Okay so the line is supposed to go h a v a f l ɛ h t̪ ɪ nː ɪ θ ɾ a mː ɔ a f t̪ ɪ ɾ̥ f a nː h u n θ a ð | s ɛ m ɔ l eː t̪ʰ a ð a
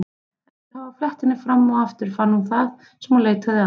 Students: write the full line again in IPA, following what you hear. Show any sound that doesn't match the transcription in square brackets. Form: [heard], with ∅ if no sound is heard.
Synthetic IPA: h a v a f l ɛ h t̪ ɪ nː ɪ [f] ɾ a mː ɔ a f t̪ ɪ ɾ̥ f a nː h u n θ a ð | s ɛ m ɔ l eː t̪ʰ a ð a